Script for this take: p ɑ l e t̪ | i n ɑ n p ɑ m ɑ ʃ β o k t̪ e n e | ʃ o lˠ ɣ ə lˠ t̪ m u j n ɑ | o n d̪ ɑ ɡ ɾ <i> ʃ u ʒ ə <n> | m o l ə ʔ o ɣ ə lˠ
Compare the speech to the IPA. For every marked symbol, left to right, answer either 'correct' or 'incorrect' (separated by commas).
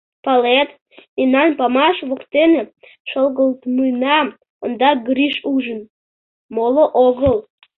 correct, correct